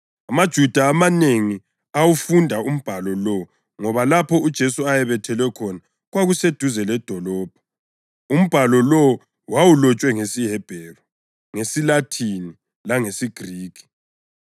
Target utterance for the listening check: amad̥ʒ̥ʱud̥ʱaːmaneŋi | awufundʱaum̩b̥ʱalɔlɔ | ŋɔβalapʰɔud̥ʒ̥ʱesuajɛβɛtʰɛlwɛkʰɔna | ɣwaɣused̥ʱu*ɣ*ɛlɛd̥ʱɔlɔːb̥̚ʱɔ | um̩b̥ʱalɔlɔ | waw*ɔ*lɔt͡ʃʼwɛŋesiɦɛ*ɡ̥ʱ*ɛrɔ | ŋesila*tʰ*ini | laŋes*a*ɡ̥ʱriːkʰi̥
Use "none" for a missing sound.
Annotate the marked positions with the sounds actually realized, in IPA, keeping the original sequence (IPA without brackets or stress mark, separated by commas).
z, u, b̥ʱ, tʰ, i